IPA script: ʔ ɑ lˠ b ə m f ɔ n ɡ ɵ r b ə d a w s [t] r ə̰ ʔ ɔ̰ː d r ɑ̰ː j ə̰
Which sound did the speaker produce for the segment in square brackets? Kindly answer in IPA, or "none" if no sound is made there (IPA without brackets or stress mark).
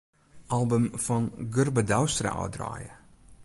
t